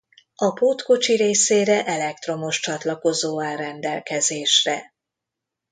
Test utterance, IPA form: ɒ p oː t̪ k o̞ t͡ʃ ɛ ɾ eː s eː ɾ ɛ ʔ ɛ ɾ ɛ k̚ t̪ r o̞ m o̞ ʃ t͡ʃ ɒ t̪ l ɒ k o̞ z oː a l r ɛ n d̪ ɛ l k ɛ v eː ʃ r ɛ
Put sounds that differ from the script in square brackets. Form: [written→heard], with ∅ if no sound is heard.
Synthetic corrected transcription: ɒ p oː t̪ k o̞ t͡ʃ [ɛ→i] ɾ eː s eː ɾ ɛ ʔ ɛ [ɾ→l] ɛ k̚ t̪ r o̞ m o̞ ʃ t͡ʃ ɒ t̪ l ɒ k o̞ z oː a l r ɛ n d̪ ɛ l k ɛ [v→z] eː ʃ r ɛ